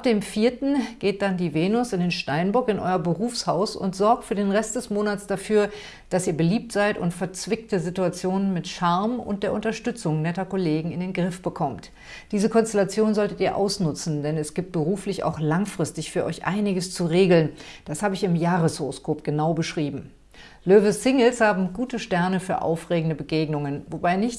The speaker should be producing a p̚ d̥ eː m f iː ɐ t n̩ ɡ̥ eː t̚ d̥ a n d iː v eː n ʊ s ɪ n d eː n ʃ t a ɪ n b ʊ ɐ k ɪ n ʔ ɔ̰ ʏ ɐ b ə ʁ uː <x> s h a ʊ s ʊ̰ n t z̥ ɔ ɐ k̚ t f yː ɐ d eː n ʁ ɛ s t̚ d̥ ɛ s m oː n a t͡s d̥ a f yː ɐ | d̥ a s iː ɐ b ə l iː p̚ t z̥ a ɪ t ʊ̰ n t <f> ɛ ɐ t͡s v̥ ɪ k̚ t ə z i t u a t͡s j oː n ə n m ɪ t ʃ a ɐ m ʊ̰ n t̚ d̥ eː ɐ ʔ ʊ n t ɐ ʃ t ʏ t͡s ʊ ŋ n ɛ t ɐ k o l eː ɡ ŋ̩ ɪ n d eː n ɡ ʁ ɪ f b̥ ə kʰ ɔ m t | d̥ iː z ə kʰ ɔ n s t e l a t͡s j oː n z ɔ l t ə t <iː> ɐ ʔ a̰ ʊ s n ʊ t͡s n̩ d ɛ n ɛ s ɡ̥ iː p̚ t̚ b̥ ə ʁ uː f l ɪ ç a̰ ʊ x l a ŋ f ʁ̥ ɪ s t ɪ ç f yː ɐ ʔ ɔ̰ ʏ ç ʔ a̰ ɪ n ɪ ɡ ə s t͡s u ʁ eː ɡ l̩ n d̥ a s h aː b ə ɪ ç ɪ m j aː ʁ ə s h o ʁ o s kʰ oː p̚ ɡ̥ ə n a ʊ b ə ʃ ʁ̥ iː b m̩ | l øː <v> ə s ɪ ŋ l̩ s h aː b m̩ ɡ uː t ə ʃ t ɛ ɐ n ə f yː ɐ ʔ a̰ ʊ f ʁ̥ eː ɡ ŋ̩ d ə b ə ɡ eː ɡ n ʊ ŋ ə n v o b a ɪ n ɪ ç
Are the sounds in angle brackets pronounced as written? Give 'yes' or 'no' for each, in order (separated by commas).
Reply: no, yes, yes, yes